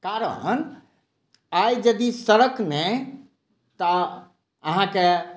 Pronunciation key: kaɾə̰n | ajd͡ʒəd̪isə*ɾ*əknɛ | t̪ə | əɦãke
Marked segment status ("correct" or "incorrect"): correct